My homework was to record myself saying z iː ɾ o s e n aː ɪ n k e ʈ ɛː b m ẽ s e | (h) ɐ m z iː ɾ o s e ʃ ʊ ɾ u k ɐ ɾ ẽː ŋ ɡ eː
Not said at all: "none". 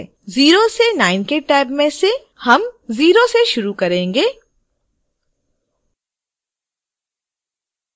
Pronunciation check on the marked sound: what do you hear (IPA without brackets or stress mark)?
h